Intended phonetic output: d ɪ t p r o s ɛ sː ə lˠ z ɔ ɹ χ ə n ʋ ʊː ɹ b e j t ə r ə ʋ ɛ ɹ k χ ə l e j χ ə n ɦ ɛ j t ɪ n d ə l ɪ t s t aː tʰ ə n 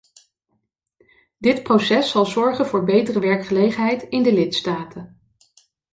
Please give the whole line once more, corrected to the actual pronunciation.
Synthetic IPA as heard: d ɪ t p r o s ɛ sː ɑ lˠ z ɔ ɹ χ ə n v ʊː ɹ b e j t ə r ə ʋ ɛ ɹ k χ ə l e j χ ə n ɦ ɛ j t ɪ n d ə l ɪ t s t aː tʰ ə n